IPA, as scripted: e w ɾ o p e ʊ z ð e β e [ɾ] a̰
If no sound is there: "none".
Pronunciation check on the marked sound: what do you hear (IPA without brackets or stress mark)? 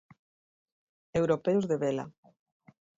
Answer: l